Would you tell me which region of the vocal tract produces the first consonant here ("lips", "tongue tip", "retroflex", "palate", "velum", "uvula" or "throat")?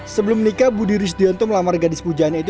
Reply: tongue tip